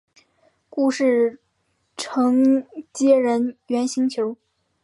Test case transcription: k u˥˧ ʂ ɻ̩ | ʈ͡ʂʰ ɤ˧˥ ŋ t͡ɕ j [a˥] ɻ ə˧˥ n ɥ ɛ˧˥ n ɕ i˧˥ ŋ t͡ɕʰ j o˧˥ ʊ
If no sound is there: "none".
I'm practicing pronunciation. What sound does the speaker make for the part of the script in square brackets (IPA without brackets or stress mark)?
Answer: ɛ˥